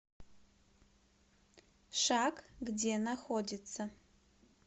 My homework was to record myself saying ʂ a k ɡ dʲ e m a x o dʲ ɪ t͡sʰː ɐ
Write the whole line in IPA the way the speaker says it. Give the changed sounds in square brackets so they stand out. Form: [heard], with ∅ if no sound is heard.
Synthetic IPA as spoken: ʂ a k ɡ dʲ e [n] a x o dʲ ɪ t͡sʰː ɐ